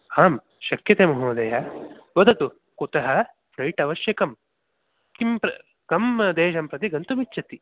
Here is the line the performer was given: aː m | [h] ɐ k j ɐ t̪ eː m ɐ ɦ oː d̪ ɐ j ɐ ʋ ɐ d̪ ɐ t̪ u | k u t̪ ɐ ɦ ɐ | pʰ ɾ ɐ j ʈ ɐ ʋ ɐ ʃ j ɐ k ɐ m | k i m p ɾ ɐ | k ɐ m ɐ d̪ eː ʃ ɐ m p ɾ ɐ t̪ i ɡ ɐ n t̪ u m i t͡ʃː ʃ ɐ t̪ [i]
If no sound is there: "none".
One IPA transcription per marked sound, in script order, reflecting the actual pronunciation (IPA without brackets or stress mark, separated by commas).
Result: ʃ, i